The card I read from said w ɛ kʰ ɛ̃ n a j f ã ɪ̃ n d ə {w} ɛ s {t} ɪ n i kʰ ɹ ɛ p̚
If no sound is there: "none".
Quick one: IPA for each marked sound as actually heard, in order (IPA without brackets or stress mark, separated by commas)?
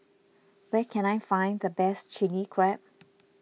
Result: b, t͡ʃ